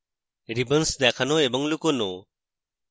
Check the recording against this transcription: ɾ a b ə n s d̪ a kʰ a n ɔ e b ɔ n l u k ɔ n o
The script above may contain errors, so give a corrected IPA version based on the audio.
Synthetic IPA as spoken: ɾ i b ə n s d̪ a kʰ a n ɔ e b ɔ ŋ l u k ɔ n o